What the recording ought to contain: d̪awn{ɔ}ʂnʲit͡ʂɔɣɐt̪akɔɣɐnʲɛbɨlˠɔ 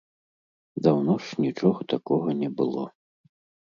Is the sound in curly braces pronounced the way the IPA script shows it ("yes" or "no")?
yes